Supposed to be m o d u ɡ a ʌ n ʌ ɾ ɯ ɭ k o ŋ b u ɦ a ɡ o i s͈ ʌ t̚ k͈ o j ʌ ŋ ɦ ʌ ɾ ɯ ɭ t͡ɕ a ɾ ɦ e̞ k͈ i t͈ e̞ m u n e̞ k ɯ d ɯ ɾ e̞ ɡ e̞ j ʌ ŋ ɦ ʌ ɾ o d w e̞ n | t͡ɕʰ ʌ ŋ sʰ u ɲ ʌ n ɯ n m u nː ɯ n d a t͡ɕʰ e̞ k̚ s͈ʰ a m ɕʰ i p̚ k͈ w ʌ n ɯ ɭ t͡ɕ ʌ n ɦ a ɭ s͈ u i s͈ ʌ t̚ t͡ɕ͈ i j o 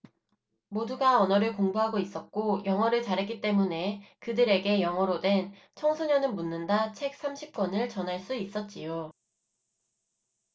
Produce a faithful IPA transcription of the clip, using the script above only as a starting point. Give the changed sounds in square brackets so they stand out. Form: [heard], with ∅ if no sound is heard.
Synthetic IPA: m o d u ɡ a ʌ n ʌ ɾ ɯ ɭ k o ŋ b u ɦ a ɡ o i s͈ ʌ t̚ k͈ o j ʌ ŋ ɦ ʌ ɾ ɯ ɭ t͡ɕ a ɾ ɦ e̞ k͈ i t͈ e̞ m u n e̞ k ɯ d ɯ ɾ e̞ ɡ e̞ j ʌ ŋ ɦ ʌ ɾ o d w e̞ n | t͡ɕʰ ʌ ŋ sʰ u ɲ ʌ n ɯ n m u nː ɯ n d a t͡ɕʰ e̞ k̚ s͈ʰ a m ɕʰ i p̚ k͈ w ʌ n ɯ ɭ t͡ɕ ʌ n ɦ a ɭ s͈ u i s͈ ʌ t̚ t͡ɕ͈ i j o